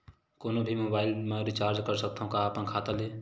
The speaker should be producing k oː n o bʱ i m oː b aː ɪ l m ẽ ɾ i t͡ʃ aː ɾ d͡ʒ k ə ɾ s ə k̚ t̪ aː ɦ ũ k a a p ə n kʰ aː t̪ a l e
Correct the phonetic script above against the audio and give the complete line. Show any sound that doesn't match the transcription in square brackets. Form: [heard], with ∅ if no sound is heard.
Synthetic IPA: k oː n o bʱ i m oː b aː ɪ l m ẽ ɾ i t͡ʃ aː ɾ d͡ʒ k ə ɾ s ə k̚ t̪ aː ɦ ũ k a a p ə n kʰ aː t̪ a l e

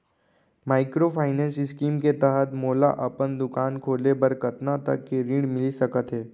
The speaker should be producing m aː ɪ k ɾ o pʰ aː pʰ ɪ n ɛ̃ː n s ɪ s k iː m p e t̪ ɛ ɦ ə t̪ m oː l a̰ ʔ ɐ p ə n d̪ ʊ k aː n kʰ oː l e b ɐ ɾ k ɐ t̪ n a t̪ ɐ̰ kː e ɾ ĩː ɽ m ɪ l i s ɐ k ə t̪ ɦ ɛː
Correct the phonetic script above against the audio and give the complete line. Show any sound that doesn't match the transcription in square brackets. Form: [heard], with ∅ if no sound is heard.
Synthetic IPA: m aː ɪ k ɾ o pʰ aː [∅] ɪ n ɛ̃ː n s ɪ s k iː m [k] e t̪ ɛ ɦ ə t̪ m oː l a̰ ʔ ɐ p ə n d̪ ʊ k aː n kʰ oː l e b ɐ ɾ k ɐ t̪ n a t̪ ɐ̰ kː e ɾ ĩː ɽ m ɪ l i s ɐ k ə t̪ ɦ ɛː

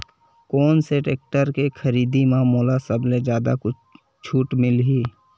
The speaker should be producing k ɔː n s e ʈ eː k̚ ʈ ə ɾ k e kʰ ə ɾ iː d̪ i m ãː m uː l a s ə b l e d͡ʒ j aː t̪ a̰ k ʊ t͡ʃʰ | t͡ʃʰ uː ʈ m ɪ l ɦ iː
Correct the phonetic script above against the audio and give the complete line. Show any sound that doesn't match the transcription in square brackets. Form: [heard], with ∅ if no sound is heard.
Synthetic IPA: k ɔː n s e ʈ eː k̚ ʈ ə ɾ k e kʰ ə ɾ iː d̪ i m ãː m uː l a s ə b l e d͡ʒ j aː [d̪] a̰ k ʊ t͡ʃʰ | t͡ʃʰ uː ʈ m ɪ l ɦ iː

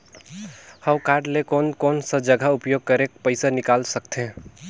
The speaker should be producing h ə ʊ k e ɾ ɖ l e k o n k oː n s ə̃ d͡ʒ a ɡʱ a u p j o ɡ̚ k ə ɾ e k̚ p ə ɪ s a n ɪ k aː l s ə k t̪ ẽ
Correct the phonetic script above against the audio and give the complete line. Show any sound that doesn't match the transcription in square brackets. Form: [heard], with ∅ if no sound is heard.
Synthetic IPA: h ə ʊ k [a] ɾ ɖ l e k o n k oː n s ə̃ d͡ʒ [ə] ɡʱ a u p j o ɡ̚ k ə ɾ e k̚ p ə ɪ s a n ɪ k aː l s ə k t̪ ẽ

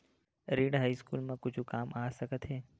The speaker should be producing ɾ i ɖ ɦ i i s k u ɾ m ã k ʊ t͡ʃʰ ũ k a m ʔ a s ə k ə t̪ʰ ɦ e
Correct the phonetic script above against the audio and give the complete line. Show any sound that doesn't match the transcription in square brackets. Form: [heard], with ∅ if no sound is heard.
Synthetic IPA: ɾ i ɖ ɦ [a] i s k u [l] m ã k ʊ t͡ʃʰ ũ k a m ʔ a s ə k ə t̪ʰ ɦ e

